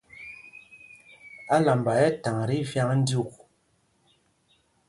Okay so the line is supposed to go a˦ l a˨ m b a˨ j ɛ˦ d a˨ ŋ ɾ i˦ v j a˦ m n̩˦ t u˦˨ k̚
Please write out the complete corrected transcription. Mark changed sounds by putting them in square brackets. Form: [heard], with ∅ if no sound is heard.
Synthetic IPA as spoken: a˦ l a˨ m b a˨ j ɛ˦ [t] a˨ ŋ ɾ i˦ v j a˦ [ŋ] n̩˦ [d] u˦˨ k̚